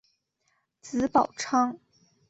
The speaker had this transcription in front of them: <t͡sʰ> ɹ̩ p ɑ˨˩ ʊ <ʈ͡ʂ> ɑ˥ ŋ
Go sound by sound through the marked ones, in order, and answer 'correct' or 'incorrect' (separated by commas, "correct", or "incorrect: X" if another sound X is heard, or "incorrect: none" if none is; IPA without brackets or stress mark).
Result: incorrect: t͡s, incorrect: ʈ͡ʂʰ